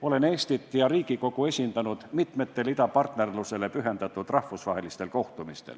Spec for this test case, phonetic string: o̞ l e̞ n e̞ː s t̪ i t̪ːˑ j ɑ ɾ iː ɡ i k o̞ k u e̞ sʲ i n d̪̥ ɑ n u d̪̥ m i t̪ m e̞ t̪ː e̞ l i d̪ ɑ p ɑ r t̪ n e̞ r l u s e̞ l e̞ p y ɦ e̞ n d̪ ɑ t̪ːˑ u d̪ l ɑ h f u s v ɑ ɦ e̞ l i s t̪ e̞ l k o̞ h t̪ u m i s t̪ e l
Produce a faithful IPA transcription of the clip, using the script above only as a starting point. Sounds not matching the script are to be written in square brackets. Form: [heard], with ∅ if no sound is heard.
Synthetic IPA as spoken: o̞ l e̞ n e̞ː s t̪ i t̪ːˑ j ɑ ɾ iː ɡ i k o̞ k u e̞ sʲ i n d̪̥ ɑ n u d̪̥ m i t̪ m e̞ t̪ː e̞ l i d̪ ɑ p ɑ r t̪ n e̞ r l u s e̞ l e̞ p y ɦ e̞ n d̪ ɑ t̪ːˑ u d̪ [r] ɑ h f u s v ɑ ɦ e̞ l i s t̪ e̞ l k o̞ h t̪ u m i s t̪ e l